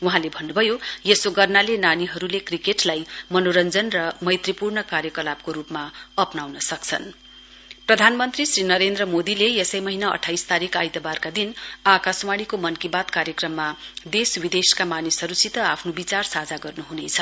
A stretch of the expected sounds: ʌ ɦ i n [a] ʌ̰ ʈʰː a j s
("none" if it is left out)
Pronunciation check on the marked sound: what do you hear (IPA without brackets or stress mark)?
a